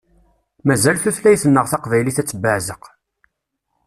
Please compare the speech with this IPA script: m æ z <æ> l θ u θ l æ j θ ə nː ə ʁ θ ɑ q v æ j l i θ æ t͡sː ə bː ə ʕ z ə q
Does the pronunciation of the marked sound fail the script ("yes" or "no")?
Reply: no